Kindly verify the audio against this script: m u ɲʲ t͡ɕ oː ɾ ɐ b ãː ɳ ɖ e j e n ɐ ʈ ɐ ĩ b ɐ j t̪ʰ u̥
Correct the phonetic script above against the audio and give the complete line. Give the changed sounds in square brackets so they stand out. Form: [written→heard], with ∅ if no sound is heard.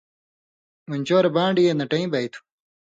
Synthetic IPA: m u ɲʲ t͡ɕ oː ɾ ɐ b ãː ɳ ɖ [e→i] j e n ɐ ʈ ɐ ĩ b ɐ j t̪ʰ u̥